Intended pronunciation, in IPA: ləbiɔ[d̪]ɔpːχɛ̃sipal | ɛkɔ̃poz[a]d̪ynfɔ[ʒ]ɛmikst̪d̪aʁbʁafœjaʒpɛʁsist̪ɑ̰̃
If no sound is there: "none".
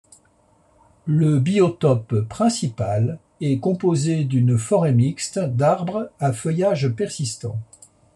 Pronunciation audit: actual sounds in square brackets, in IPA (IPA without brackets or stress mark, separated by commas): t̪, e, ʁ